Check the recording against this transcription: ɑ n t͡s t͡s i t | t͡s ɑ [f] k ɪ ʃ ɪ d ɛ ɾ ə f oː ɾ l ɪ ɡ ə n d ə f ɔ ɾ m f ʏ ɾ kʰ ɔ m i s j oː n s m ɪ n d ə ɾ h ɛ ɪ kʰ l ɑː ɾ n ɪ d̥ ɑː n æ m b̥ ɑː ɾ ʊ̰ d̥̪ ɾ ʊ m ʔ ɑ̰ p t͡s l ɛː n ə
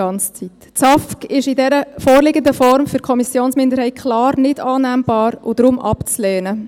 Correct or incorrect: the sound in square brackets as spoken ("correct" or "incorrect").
correct